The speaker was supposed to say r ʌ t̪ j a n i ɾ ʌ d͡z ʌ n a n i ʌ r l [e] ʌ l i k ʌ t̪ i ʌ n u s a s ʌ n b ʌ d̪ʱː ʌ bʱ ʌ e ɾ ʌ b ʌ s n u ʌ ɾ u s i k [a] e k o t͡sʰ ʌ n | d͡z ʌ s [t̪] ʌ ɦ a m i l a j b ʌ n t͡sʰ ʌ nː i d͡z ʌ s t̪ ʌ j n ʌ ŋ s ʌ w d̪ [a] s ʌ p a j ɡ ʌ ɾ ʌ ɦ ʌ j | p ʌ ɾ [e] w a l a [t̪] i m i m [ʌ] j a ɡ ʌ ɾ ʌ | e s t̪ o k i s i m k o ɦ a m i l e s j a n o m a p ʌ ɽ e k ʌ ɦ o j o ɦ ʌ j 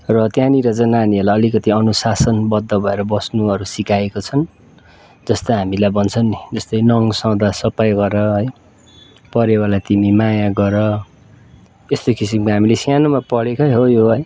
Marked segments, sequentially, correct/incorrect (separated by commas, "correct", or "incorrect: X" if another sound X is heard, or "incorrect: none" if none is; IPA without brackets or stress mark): incorrect: a, correct, correct, correct, correct, correct, incorrect: a